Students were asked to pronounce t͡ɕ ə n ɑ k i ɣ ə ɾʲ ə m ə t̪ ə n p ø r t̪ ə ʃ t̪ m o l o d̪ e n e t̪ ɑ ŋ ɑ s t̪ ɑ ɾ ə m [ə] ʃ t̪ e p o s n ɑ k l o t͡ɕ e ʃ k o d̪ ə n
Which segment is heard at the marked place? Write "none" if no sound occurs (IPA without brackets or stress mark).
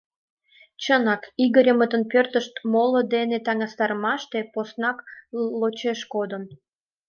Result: ɑ